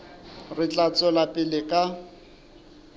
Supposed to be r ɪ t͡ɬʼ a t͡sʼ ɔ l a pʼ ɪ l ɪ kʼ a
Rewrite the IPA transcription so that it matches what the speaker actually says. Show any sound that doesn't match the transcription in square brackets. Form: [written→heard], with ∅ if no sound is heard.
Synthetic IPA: r ɪ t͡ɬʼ a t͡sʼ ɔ l a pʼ ɪ l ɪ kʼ a